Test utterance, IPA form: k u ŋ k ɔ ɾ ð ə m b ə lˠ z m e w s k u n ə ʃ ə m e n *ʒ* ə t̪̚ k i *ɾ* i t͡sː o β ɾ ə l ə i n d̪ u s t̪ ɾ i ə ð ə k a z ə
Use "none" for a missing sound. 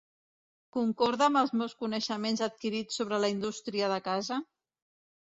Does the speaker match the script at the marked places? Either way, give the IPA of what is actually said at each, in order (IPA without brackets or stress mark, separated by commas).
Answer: z, ɾ